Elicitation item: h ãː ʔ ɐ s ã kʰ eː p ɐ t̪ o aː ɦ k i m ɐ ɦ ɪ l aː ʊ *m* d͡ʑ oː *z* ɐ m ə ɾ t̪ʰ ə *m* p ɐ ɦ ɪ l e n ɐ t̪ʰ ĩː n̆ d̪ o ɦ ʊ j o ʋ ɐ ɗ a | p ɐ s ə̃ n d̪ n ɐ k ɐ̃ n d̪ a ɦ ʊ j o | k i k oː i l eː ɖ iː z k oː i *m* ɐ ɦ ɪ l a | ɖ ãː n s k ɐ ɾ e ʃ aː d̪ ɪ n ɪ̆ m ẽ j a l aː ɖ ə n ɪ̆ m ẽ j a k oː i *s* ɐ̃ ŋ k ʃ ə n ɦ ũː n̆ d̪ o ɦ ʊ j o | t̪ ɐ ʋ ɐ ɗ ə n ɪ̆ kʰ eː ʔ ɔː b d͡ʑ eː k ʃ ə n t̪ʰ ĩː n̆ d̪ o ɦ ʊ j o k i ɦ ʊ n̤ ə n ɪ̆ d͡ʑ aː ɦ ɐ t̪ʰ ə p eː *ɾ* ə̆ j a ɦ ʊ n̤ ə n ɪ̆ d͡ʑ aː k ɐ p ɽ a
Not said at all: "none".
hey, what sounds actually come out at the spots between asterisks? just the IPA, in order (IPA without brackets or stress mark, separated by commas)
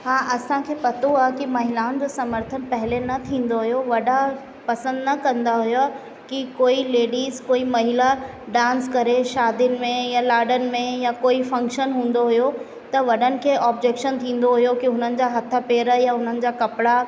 n, s, n, m, f, ɾ